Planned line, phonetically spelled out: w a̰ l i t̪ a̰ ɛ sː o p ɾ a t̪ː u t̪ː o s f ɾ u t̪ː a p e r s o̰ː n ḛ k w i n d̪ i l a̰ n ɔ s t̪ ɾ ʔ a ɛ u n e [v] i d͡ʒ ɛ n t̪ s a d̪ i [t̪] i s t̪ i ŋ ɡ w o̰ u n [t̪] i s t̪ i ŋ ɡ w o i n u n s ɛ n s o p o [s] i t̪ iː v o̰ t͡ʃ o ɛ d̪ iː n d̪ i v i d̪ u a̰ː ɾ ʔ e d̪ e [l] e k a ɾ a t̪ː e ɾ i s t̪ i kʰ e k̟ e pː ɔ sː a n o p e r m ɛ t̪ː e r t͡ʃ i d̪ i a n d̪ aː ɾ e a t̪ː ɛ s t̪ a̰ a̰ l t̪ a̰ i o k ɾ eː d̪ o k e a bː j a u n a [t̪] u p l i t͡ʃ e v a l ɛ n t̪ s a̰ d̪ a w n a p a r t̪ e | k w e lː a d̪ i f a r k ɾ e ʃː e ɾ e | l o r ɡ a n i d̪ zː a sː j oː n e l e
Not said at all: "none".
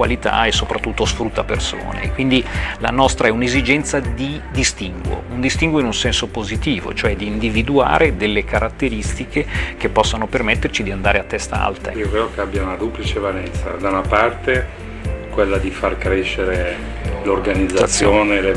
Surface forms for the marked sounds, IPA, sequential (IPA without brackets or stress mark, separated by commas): z, d̪, d̪, z, lː, d̪